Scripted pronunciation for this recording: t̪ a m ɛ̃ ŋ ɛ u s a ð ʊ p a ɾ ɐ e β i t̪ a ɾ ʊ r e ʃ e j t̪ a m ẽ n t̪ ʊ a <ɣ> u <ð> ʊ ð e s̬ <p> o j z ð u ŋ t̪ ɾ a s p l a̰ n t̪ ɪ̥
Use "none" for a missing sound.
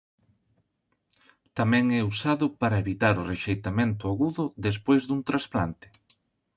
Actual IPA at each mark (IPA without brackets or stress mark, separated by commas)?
ɣ, ð, p